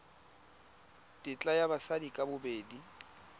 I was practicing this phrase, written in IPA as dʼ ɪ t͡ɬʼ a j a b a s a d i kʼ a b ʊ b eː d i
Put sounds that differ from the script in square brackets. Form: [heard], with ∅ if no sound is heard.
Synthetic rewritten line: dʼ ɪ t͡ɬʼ a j a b a s a d i kʼ a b ʊ b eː d i